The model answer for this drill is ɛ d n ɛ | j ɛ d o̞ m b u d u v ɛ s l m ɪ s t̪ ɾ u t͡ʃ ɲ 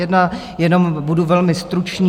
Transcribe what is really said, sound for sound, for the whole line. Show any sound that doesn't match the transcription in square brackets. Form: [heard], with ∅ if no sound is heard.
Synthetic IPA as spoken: ɛ d n [a] | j ɛ [n] o̞ m b u d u v ɛ [∅] l m ɪ s t̪ ɾ u t͡ʃ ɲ